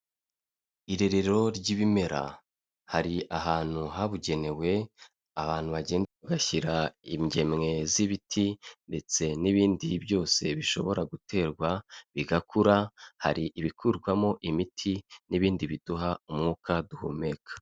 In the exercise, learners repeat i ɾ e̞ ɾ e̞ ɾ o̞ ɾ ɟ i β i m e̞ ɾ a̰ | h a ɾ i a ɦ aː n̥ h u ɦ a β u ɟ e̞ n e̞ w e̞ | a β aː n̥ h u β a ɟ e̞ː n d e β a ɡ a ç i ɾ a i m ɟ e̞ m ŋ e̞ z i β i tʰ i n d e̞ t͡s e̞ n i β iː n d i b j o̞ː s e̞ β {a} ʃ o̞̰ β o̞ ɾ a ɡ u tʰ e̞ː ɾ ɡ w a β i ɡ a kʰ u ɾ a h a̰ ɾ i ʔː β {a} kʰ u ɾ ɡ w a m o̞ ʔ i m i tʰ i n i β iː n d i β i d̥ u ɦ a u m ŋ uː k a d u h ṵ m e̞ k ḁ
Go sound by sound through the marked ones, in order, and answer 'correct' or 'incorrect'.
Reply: incorrect: i, incorrect: i

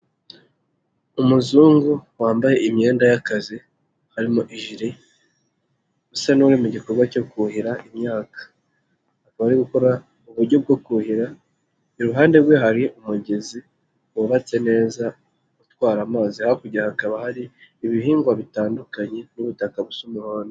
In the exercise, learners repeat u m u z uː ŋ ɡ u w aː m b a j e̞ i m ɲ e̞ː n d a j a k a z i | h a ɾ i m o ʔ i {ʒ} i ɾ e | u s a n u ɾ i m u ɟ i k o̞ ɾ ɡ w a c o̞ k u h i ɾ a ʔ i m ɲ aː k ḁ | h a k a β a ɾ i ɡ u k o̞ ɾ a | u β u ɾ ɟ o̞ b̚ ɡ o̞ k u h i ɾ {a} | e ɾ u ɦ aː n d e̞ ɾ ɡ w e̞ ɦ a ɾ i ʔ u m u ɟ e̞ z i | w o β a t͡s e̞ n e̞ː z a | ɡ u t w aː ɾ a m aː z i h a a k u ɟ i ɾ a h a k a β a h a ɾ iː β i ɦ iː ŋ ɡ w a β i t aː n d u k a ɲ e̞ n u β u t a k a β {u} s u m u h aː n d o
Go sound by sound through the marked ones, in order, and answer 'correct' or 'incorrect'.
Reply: correct, correct, correct

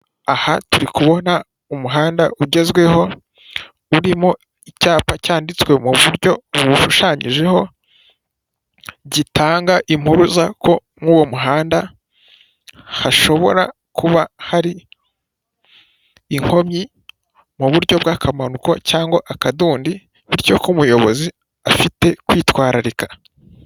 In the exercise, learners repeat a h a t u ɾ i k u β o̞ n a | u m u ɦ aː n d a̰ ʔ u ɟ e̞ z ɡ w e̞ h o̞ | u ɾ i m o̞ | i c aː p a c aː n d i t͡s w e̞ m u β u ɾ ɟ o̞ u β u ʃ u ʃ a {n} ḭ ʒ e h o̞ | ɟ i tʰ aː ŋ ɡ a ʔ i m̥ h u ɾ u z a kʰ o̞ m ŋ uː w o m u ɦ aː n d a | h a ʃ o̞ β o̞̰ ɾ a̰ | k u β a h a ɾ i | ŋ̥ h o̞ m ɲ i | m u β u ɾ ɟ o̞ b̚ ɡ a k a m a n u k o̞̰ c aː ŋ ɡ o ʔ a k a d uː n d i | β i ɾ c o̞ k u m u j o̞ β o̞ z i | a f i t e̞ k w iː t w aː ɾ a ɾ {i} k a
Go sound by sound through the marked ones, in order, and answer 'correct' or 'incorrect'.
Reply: incorrect: ɲ, correct

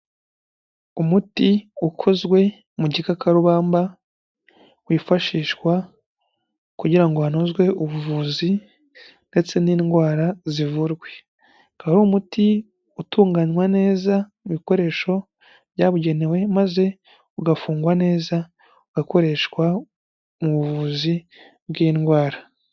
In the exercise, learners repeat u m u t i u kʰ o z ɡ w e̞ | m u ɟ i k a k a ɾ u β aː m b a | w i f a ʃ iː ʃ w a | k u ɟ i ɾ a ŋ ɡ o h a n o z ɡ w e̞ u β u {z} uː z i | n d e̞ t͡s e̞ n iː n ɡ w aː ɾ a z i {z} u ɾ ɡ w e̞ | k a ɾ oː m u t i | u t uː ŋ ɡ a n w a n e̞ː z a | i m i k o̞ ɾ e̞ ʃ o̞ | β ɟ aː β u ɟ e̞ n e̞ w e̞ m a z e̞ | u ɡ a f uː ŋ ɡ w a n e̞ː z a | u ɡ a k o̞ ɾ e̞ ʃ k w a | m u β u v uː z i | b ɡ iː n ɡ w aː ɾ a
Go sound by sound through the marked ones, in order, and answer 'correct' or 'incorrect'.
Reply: incorrect: v, incorrect: v

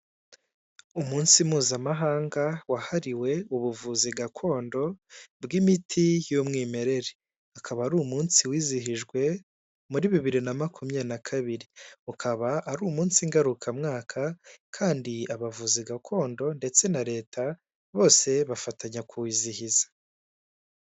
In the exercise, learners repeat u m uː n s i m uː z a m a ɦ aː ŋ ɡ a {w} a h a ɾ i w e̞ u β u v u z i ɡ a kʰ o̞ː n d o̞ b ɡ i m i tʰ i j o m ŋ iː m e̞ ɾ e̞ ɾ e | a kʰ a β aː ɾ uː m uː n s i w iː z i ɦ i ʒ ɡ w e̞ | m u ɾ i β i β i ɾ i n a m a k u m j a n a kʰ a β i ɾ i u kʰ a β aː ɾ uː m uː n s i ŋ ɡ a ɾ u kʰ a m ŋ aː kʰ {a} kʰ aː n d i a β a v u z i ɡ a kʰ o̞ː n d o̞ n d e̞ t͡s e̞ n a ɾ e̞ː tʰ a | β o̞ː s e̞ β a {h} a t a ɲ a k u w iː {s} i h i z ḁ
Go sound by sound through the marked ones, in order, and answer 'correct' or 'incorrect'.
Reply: correct, correct, incorrect: f, incorrect: z

